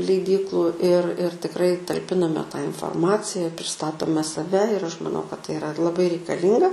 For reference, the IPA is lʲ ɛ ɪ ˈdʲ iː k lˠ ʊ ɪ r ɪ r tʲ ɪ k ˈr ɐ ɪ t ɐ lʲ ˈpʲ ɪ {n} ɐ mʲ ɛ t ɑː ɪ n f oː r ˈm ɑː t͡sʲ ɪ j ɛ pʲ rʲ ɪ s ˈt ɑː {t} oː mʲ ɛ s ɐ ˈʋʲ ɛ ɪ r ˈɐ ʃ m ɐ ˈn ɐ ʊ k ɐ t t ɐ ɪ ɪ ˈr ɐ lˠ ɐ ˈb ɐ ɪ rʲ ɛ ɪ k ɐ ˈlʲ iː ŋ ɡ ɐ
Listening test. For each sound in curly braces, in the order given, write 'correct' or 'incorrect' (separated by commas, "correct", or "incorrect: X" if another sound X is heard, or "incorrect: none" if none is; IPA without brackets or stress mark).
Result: correct, correct